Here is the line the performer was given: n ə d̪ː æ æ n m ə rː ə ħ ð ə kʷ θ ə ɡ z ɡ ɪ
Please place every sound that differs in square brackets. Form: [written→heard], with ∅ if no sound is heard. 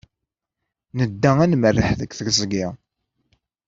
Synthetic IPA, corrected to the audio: n ə d̪ː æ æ n m ə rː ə ħ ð ə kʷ θ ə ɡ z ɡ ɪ